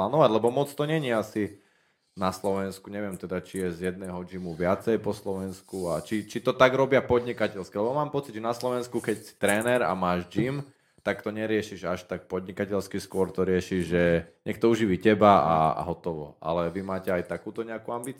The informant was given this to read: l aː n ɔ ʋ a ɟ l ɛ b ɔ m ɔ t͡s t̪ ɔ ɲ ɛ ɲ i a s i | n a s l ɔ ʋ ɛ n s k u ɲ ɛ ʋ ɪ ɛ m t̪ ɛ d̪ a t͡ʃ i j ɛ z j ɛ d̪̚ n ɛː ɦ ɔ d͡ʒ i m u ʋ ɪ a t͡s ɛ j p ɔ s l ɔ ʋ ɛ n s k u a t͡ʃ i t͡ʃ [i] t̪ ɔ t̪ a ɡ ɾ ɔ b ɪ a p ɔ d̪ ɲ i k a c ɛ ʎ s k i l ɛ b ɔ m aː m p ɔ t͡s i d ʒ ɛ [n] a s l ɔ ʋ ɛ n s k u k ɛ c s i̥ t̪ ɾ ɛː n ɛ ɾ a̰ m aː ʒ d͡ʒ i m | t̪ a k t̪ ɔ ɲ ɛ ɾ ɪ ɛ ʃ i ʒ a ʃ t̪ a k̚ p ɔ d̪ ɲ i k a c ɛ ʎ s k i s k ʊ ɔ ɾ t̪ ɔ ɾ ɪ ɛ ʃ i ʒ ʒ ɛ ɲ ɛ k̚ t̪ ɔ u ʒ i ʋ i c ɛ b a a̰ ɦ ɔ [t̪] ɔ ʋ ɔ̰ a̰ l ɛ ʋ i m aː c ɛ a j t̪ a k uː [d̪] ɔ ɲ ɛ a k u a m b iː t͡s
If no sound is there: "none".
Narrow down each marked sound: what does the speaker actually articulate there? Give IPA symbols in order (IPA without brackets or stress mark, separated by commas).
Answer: i, n, t̪, t̪